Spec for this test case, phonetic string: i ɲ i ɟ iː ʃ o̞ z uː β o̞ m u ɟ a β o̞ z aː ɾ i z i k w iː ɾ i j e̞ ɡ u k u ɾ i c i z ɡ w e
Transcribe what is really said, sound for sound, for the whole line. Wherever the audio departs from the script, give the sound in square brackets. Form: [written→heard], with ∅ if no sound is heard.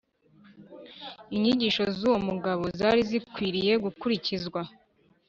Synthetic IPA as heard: i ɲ i ɟ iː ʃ o̞ z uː [β→w] o̞ m u [ɟ→ɡ] a β o̞ z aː ɾ i z i k w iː ɾ i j e̞ ɡ u k u ɾ i c i z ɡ w [e→a]

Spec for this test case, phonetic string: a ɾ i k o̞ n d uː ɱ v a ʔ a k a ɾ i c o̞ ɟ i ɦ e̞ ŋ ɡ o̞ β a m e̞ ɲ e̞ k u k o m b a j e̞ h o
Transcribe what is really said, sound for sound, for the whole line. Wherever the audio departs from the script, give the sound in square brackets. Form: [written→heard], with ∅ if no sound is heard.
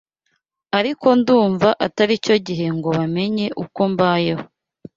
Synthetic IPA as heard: a ɾ i k o̞ n d uː ɱ v a ʔ a [k→t] a ɾ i c o̞ ɟ i ɦ e̞ ŋ ɡ o̞ β a m e̞ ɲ e̞ [k→ʔ] u k o m b a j e̞ h o

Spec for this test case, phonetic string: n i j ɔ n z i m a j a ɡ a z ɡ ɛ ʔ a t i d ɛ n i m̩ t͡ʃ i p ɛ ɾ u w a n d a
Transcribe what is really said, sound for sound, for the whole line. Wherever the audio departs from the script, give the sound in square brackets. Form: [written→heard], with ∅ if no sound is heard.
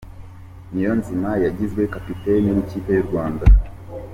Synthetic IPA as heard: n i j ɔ n z i m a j a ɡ [a→i] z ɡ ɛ [ʔ→k] a [t→p] i [d→t] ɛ n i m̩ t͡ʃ i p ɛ ɾ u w a n d a

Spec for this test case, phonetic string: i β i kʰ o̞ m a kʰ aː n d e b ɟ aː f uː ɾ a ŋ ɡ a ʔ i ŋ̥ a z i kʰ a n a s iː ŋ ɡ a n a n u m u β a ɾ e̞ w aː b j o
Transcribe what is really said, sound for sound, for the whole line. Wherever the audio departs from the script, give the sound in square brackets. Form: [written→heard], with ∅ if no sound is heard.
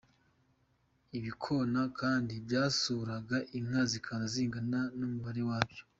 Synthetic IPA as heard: i β i kʰ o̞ [m→n] a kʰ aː n d [e→i] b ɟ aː [f→s] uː ɾ a [ŋ→∅] ɡ a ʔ i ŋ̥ a z i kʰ a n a [s→z] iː ŋ ɡ a n a n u m u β a ɾ e̞ w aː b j o

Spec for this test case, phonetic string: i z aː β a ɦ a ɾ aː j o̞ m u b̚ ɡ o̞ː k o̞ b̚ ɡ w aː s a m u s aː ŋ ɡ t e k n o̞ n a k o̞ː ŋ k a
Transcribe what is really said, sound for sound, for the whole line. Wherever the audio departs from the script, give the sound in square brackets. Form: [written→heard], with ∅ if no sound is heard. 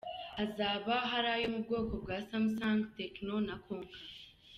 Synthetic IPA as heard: [i→a] z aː β a ɦ a ɾ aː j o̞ m u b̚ ɡ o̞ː k o̞ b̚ ɡ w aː s a m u s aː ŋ ɡ t e k n o̞ n a k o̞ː ŋ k a

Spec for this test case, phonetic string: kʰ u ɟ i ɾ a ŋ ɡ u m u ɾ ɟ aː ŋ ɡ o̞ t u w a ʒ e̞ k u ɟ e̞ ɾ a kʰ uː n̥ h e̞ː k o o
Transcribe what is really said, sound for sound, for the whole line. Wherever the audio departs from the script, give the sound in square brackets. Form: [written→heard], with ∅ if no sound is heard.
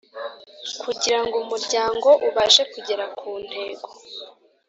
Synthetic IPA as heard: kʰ u ɟ i ɾ a ŋ ɡ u m u ɾ ɟ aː ŋ ɡ o̞ [t→ʔ] u [w→β] a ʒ e̞ k u ɟ e̞ ɾ a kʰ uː n̥ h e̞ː [k→ɡ] o o

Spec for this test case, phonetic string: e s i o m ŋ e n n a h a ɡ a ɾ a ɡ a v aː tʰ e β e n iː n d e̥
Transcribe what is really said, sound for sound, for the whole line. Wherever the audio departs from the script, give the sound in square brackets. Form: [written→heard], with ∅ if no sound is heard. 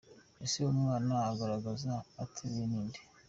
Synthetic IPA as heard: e s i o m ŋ [e→a] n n a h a ɡ a ɾ a ɡ a [v→z] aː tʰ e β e n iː n d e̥

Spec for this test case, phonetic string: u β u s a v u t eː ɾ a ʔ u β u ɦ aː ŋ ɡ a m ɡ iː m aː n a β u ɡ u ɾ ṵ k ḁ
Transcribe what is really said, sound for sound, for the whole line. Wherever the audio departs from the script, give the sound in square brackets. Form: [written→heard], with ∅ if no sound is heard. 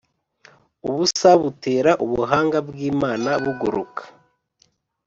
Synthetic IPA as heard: u β u s a [v→β] u t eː ɾ a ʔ u β u ɦ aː ŋ ɡ a [m→b] ɡ iː m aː n a β u ɡ u ɾ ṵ k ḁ

